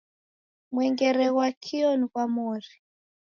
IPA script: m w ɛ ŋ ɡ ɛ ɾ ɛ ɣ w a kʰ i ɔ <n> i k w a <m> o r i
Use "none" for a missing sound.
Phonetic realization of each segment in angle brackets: n, m

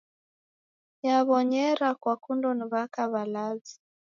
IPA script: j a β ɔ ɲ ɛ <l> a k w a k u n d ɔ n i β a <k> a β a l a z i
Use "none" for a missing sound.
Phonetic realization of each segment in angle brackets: ɾ, k

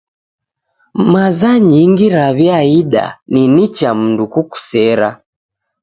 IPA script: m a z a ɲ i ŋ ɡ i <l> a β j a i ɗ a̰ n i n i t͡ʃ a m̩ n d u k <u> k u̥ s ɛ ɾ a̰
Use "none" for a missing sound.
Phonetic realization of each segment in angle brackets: ɾ, u

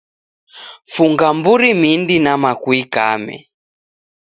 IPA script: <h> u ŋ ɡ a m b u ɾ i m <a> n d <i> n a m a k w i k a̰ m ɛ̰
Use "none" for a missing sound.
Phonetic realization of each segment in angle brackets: f, i, i

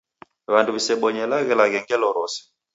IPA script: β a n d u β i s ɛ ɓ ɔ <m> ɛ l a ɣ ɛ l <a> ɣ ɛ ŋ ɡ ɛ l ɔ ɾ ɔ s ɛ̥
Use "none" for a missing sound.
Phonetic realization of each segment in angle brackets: ɲ, a

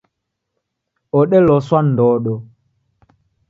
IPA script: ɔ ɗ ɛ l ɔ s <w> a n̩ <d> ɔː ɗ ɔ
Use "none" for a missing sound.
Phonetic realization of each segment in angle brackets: w, d

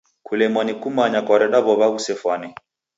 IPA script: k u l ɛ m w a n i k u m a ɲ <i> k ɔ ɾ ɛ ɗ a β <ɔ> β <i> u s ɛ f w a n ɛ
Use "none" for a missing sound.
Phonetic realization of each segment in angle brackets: a, ɔ, a

